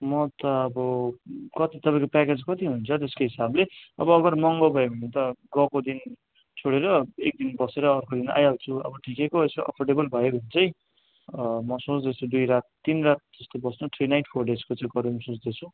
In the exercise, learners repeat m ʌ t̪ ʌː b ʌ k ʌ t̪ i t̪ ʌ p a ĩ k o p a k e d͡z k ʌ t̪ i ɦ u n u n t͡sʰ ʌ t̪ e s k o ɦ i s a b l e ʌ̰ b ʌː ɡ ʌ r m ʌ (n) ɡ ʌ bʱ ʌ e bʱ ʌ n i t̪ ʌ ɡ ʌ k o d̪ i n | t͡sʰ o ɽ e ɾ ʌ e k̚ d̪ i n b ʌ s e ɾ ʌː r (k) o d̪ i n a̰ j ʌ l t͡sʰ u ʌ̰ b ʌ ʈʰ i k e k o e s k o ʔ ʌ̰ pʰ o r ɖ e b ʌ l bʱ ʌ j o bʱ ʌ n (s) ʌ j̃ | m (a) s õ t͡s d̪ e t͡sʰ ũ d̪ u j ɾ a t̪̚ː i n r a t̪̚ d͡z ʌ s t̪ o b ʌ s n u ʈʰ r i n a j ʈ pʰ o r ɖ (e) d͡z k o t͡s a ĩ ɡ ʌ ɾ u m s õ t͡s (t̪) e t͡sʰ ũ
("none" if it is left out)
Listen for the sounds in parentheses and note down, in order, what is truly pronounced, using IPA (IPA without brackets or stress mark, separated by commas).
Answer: ŋ, k, t͡s, ʌ, e, d̪